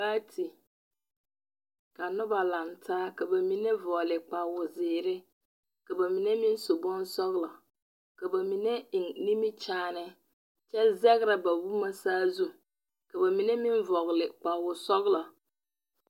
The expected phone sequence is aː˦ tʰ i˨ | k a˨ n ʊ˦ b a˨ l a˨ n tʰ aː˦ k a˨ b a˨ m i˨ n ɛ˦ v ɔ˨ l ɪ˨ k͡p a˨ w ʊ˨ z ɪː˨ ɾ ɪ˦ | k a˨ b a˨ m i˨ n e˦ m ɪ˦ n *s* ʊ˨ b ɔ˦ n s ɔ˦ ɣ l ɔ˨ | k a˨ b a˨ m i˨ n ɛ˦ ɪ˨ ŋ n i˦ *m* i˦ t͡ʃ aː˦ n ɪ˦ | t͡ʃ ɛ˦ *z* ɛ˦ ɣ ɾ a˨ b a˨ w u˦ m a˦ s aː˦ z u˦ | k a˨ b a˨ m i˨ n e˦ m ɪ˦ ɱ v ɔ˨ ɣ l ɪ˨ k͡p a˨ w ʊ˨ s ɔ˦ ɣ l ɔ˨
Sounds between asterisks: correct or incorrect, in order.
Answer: correct, correct, correct

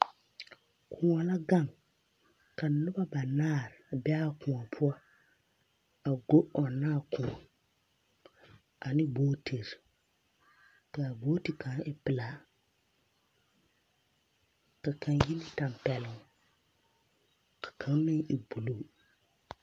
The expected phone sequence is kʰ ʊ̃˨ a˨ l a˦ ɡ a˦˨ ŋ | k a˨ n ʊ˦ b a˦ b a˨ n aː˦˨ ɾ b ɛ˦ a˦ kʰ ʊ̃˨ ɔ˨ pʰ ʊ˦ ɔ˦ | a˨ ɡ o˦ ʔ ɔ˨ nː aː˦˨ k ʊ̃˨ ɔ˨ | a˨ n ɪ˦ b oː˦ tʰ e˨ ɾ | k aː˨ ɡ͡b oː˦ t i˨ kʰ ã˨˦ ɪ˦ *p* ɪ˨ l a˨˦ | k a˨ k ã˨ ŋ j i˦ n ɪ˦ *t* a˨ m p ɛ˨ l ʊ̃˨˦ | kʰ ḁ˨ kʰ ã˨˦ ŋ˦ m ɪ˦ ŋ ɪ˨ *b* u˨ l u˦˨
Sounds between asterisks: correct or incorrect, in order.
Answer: correct, correct, correct

